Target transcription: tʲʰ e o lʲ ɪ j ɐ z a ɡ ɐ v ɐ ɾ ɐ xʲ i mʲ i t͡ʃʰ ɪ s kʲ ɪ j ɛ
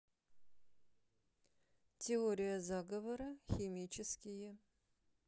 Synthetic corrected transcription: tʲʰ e o ɾʲ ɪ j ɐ z a ɡ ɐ v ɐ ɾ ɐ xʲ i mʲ i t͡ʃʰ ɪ s kʲ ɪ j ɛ